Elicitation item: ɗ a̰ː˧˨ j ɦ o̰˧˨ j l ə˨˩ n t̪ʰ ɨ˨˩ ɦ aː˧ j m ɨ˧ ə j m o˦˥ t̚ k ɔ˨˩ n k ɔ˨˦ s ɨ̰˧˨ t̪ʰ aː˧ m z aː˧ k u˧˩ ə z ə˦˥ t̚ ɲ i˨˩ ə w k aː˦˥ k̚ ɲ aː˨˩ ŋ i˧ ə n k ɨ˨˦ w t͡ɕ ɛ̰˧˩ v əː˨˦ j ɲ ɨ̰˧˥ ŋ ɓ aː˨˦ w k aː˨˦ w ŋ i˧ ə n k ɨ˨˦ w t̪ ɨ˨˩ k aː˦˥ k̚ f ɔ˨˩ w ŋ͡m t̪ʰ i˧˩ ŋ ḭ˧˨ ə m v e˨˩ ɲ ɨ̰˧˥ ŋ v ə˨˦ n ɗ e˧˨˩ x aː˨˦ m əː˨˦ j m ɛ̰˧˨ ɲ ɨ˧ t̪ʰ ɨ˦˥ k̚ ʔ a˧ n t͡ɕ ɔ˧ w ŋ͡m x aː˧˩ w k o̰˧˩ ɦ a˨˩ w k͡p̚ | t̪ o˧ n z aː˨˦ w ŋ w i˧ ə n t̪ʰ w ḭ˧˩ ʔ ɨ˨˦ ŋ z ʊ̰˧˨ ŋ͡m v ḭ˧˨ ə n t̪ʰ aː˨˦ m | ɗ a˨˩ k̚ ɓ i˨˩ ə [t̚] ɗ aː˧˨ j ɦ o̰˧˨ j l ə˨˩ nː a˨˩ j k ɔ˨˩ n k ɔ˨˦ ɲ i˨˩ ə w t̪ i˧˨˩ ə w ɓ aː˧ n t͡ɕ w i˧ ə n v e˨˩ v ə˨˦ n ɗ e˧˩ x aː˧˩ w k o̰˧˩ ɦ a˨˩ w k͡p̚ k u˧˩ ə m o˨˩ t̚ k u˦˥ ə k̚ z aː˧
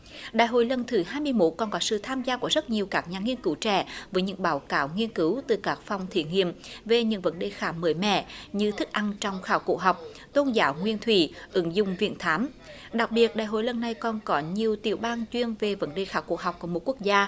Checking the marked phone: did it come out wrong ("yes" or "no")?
no